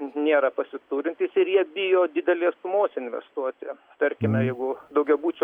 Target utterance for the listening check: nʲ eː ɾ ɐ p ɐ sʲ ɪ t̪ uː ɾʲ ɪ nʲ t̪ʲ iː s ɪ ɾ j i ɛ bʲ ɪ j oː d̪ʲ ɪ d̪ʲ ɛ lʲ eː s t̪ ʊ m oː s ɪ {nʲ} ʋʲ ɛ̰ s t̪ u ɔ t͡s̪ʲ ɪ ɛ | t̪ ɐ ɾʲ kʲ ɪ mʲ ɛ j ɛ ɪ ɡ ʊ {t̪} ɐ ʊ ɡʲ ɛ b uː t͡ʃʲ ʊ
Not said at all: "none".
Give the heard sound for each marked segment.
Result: nʲ, d̪

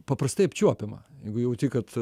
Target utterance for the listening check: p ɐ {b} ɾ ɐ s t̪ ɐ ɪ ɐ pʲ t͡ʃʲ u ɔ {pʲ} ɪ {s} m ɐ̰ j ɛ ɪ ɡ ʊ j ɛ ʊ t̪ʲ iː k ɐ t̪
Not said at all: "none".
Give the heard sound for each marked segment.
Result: p, pʲ, none

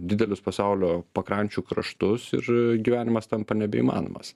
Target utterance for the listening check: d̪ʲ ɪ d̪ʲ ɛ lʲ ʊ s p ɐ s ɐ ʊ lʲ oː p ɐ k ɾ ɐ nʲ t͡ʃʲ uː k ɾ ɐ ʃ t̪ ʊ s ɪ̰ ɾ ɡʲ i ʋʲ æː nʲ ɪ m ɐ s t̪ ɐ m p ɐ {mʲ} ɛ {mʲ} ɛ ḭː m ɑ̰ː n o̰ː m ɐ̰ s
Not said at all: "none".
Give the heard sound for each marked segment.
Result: nʲ, bʲ

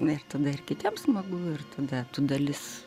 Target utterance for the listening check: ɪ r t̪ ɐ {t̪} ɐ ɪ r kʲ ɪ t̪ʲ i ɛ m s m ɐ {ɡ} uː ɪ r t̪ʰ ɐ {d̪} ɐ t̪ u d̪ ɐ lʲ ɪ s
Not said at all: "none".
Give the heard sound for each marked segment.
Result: d̪, ɡ, d̪

